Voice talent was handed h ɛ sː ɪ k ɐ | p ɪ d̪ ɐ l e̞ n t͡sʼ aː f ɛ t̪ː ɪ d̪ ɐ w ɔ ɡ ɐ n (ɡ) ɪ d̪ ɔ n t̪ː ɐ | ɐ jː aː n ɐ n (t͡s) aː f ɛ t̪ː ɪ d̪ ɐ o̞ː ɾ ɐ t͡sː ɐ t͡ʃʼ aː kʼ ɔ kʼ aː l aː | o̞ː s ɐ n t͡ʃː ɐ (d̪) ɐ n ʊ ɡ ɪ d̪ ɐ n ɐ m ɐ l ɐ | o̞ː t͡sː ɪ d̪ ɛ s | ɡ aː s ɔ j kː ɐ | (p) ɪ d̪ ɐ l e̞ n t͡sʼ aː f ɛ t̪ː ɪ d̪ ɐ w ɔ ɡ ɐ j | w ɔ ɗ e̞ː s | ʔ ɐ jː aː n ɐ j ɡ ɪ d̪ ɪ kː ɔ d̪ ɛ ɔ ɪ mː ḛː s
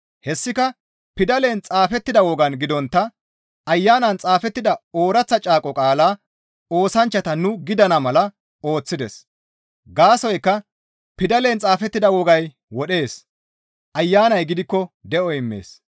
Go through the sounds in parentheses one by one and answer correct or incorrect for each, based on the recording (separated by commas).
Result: correct, incorrect, incorrect, correct